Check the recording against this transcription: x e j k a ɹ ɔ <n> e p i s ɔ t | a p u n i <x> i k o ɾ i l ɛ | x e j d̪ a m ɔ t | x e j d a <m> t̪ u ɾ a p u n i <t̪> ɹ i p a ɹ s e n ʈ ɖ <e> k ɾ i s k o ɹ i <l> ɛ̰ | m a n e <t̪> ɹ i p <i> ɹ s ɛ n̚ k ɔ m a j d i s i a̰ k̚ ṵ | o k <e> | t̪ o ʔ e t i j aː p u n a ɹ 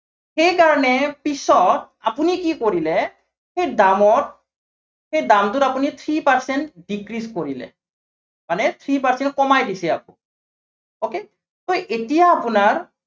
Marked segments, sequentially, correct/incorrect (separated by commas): correct, incorrect, correct, incorrect, incorrect, correct, incorrect, incorrect, correct